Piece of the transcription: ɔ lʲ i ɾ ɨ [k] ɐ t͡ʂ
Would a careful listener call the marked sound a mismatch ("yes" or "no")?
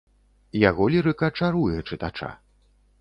no